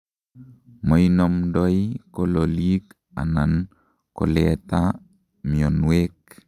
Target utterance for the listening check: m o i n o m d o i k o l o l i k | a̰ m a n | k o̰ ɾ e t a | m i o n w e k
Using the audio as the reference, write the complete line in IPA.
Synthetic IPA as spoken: m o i n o m d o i k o l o l i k | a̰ n a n | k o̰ l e t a | m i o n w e k